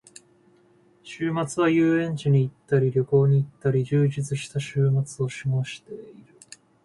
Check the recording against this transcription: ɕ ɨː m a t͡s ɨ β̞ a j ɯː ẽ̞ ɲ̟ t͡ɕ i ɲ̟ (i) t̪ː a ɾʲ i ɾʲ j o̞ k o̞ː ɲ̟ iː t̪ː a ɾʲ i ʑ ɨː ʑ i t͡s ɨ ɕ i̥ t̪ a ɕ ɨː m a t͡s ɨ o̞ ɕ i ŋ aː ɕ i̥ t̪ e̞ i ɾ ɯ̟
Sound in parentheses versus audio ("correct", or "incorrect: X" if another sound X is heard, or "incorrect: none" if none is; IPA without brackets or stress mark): incorrect: iː